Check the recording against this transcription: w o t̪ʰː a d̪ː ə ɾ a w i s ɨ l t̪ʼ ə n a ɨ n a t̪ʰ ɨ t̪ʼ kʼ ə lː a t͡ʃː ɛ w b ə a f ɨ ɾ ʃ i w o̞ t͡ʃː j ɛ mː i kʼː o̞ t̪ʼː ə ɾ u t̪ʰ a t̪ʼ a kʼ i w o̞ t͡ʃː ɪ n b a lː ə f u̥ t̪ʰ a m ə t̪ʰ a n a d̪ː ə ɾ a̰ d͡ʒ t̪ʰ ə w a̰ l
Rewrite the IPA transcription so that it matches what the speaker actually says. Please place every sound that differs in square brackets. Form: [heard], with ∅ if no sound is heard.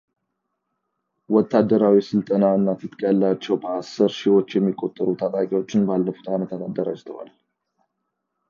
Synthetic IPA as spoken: w [ɔ] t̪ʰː a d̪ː ə ɾ a w i s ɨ l t̪ʼ ə n a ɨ [nː] a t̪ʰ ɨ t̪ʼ kʼ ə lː a t͡ʃː ɛ w b ə a [s] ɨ ɾ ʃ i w o̞ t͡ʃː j ɛ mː i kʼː o̞ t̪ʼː ə ɾ u t̪ʰ a t̪ʼ a kʼ i w o̞ t͡ʃː ɪ n b a lː ə f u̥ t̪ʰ a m ə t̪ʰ a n a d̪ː ə ɾ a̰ d͡ʒ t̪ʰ ə w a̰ l